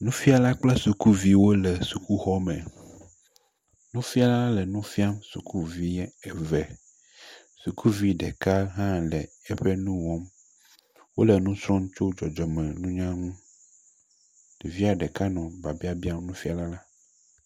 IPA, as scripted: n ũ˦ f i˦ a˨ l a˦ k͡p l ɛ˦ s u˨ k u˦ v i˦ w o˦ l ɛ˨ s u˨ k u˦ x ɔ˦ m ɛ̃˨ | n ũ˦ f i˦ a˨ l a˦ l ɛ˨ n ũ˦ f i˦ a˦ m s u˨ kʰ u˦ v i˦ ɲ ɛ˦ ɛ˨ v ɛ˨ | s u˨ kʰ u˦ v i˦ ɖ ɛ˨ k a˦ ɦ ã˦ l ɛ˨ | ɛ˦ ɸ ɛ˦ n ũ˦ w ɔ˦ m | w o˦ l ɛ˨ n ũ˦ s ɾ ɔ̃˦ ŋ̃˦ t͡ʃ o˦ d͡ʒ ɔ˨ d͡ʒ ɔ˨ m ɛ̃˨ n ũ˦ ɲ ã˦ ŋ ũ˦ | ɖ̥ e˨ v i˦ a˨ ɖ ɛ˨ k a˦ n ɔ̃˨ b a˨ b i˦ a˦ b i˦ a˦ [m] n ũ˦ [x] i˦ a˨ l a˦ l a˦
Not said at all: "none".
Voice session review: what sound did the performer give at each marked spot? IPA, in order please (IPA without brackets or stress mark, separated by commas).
m, f